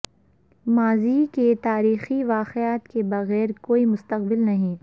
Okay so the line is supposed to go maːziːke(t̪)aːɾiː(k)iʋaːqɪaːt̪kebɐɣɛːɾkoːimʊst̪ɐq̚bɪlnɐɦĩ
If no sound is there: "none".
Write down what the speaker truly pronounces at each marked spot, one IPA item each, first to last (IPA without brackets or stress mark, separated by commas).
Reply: t̪, x